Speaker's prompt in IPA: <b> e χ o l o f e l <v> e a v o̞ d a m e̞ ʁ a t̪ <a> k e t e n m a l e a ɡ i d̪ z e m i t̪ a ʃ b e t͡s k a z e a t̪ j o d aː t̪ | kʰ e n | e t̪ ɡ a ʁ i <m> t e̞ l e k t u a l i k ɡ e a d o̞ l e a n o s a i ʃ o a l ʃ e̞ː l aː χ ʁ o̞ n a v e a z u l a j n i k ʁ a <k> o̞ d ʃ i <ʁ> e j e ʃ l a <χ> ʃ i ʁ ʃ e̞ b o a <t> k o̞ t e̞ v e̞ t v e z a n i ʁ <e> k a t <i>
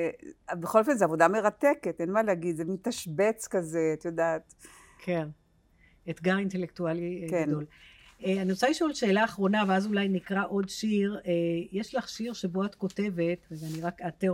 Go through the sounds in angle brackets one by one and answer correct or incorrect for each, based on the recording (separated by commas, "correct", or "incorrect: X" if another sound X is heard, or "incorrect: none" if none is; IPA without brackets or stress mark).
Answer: correct, incorrect: z, incorrect: e, incorrect: n, incorrect: ʔ, correct, correct, correct, incorrect: a, incorrect: e